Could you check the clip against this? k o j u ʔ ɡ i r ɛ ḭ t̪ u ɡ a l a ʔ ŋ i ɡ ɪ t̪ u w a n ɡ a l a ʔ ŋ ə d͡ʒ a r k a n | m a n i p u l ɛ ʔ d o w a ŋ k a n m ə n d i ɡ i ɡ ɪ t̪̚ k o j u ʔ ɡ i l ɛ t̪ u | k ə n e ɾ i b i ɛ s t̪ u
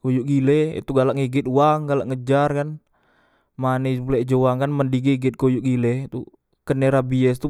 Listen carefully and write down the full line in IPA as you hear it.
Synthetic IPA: k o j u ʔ ɡ i l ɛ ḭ t̪ u ɡ a l a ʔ ŋ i ɡ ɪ t̪ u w a ŋ ɡ a l a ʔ ŋ ə d͡ʒ a r k a n | m a n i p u l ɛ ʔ d͡ʒ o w a ŋ k a n m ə n d i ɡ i ɡ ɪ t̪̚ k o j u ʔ ɡ i l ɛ t̪ u | k ə n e ɾ a b i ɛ s t̪ u